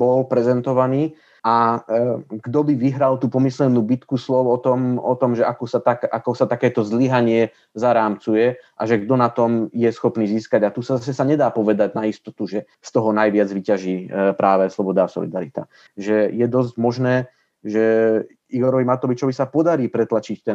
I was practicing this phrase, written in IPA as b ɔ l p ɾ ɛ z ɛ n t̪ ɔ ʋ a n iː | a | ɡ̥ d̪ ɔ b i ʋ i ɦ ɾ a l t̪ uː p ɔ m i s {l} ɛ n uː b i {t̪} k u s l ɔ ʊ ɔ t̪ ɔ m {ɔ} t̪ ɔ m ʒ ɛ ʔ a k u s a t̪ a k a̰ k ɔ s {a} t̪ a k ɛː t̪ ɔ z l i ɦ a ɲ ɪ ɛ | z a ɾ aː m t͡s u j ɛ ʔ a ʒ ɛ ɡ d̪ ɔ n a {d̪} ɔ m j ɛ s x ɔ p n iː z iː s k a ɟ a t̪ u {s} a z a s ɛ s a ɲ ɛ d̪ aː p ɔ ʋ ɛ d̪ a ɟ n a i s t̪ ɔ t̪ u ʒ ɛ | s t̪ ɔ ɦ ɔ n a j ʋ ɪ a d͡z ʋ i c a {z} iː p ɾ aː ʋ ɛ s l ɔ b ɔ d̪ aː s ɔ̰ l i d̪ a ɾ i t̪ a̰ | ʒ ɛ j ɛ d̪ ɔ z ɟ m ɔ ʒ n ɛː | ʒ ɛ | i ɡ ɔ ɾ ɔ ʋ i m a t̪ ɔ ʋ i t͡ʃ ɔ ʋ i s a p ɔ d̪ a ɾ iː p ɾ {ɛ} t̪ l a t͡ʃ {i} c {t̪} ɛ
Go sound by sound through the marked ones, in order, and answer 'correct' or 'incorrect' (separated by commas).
correct, correct, correct, correct, incorrect, correct, incorrect, correct, correct, correct